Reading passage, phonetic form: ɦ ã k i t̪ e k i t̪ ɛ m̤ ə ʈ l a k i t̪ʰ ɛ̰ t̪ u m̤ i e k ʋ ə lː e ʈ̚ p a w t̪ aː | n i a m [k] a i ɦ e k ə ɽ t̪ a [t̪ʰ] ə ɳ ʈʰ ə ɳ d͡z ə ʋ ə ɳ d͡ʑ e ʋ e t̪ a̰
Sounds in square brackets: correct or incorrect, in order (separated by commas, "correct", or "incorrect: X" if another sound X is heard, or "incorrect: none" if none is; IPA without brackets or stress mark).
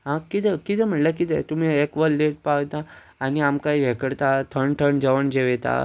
correct, correct